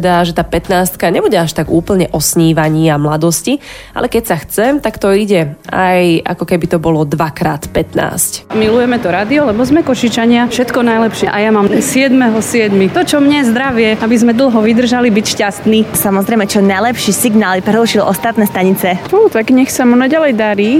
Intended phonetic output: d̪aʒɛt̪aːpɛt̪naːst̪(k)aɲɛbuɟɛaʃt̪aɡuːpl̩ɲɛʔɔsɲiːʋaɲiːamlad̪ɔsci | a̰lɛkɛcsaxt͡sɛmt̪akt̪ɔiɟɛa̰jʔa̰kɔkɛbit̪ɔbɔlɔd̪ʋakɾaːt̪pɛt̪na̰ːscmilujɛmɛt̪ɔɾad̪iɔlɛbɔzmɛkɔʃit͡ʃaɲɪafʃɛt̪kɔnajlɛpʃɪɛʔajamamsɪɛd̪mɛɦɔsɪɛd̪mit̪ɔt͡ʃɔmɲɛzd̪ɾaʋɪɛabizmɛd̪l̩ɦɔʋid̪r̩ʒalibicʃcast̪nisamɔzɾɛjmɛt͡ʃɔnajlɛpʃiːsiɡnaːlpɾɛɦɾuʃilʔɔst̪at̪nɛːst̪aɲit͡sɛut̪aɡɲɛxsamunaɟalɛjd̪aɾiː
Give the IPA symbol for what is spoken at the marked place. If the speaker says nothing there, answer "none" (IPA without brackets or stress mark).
k